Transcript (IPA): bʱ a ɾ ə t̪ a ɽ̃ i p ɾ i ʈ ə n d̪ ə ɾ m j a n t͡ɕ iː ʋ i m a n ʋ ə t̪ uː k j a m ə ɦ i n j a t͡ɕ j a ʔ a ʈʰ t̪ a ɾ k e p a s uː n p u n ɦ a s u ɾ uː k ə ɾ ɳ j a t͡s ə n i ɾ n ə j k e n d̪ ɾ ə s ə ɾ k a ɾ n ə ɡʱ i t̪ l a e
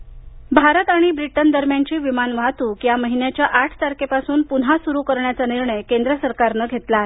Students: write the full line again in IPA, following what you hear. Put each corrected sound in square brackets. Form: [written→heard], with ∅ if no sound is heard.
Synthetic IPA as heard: bʱ a ɾ ə t̪ a ɽ̃ i [p→b] ɾ i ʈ ə n d̪ ə ɾ m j a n t͡ɕ iː ʋ i m a n ʋ [ə→a] t̪ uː k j a m ə ɦ i n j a t͡ɕ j a ʔ a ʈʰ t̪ a ɾ k e p a s uː n p u n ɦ a s u ɾ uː k ə ɾ ɳ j a t͡s [ə→a] n i ɾ [n→ɳ] ə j k e n d̪ ɾ ə s ə ɾ k a ɾ n ə ɡʱ [i→e] t̪ l a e